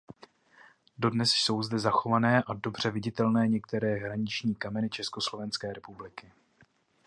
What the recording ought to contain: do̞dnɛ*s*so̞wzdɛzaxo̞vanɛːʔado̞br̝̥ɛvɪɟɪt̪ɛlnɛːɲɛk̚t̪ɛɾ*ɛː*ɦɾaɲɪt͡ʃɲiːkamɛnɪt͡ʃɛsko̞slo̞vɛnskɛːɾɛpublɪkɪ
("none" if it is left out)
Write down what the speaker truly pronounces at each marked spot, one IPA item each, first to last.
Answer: s, ɛː

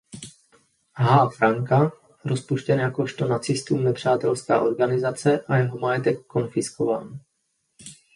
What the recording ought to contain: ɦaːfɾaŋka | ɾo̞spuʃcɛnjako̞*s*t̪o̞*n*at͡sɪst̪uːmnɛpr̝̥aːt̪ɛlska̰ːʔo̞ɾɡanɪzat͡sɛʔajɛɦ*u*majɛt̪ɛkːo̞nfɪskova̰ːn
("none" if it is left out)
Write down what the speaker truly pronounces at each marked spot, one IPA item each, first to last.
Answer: ʃ, n, o

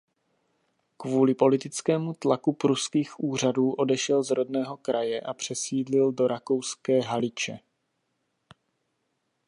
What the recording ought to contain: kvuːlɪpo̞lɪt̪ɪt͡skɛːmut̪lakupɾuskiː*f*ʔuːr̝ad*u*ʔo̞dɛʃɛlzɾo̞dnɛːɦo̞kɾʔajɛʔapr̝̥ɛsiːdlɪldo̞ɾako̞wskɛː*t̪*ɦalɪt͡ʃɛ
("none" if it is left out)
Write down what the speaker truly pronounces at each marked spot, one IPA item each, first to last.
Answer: x, uː, none

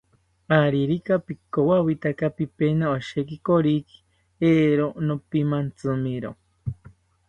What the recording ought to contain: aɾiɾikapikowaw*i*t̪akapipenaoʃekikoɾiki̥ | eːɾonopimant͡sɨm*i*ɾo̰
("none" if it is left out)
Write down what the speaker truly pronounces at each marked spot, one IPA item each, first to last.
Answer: i, i

